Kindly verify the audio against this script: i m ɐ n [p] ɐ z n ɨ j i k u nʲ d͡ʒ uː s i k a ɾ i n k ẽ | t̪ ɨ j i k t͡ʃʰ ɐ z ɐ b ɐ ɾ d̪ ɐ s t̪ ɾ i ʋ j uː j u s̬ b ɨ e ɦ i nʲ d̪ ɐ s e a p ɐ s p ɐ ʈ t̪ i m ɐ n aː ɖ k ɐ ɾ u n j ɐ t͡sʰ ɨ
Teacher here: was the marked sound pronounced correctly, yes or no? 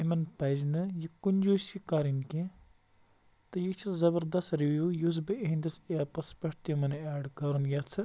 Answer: yes